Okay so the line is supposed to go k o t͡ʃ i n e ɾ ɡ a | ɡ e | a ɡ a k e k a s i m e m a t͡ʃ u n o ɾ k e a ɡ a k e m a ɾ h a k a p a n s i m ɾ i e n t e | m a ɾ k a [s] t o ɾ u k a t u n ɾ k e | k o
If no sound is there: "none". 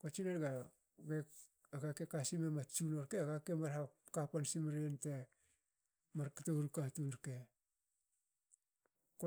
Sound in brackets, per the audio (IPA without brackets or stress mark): none